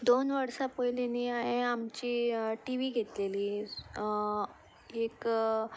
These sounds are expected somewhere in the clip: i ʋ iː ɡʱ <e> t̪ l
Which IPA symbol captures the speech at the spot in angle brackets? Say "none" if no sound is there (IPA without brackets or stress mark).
e